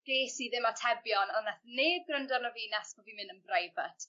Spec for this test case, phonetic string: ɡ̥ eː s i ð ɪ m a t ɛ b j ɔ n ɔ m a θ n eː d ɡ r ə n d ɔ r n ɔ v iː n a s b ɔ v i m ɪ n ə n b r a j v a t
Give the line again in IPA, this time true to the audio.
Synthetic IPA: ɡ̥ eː s i ð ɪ m a tʰ ɛ b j ɔ n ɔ n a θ n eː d ɡ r ə n d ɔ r n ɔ v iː n a s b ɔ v i m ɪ n ə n b r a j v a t